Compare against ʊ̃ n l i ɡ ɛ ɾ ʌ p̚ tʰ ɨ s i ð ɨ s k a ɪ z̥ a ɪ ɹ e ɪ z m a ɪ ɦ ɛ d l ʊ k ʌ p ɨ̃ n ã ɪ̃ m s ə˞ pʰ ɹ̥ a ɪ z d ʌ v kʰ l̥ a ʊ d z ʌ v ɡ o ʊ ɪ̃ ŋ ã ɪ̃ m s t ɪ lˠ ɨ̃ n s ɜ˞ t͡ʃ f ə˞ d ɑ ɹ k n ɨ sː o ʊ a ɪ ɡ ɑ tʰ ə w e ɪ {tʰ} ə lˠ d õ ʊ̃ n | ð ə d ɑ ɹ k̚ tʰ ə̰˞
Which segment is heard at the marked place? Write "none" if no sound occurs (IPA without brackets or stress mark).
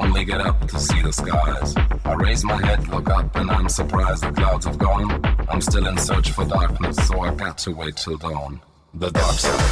tʰ